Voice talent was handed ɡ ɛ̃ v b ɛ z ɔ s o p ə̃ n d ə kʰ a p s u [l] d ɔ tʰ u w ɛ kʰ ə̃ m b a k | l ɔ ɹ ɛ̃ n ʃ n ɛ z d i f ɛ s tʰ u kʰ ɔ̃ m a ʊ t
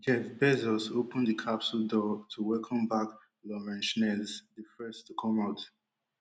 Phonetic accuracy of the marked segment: correct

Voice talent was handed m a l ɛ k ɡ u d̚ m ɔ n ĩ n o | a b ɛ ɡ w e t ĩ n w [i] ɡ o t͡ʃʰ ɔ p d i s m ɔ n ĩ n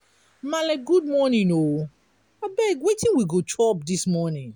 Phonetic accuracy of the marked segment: correct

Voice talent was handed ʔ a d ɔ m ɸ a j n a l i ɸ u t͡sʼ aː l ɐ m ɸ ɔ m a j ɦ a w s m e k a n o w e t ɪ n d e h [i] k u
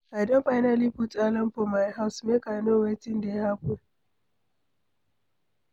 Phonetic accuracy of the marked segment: incorrect: a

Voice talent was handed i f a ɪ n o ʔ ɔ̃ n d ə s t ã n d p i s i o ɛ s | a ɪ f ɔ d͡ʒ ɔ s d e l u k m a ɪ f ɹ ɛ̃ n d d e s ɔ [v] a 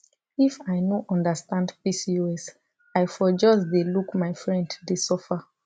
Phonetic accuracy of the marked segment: incorrect: f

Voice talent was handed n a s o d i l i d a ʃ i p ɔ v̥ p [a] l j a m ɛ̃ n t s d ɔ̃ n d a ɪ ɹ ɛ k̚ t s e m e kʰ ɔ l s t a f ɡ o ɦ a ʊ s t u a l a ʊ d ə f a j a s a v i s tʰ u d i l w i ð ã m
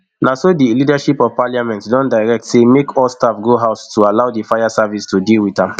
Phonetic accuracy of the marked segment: correct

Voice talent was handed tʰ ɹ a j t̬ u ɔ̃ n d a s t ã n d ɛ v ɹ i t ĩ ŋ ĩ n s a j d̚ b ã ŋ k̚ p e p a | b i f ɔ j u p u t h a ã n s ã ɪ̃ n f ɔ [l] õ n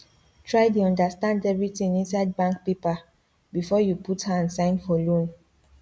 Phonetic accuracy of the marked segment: correct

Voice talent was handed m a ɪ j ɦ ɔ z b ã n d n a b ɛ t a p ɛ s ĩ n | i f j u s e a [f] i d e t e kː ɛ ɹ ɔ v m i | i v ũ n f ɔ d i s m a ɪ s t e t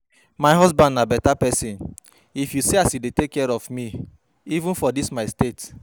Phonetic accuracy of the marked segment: incorrect: s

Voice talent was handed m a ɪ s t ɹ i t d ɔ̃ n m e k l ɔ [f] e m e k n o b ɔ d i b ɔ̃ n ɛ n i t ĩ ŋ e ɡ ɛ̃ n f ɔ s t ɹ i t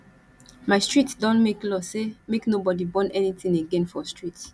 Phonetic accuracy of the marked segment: incorrect: s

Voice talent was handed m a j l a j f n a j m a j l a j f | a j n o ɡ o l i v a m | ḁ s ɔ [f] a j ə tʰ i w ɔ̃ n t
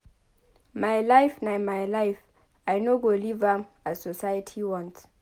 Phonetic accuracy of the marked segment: incorrect: s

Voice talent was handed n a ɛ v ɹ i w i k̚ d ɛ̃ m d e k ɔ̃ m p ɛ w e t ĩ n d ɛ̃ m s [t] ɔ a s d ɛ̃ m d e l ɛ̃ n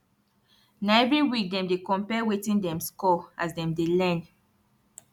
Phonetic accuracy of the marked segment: incorrect: k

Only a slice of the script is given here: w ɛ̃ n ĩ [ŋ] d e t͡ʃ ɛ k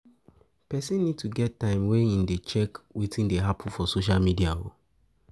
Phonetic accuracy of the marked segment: incorrect: n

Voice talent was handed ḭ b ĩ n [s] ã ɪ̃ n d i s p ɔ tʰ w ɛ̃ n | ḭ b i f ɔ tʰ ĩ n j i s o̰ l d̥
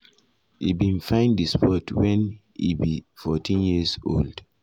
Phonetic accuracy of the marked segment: incorrect: f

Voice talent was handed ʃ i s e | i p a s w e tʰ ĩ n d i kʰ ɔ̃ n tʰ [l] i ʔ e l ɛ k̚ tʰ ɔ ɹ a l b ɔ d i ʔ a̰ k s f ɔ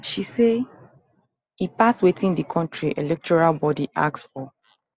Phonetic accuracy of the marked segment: incorrect: ɹ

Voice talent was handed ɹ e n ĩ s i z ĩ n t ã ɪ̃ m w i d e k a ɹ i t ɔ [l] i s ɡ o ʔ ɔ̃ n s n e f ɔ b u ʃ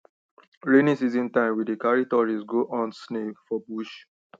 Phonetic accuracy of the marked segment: incorrect: ɹ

